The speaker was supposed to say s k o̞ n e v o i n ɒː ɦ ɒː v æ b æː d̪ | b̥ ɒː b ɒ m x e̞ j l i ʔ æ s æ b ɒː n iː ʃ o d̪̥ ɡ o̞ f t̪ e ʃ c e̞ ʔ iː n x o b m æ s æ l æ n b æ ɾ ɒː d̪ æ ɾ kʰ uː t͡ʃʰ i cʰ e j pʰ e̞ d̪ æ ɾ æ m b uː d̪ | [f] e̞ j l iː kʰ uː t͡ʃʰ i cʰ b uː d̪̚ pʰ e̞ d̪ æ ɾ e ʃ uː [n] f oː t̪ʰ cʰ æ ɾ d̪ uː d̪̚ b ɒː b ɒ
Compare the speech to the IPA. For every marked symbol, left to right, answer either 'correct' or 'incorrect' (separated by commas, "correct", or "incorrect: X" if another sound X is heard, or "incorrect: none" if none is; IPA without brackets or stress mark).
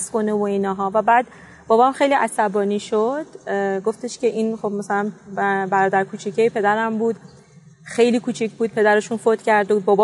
incorrect: x, correct